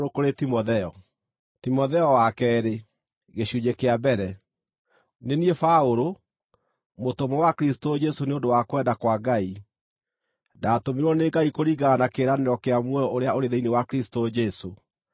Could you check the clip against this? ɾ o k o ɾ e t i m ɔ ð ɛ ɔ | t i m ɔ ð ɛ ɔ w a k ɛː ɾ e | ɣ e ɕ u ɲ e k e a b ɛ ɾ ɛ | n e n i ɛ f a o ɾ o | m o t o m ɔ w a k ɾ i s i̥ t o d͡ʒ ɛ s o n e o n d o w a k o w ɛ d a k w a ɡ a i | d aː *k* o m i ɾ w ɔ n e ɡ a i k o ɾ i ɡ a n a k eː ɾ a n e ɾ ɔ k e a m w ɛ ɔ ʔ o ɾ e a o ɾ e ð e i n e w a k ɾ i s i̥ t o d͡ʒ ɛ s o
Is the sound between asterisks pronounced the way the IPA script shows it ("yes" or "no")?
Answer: no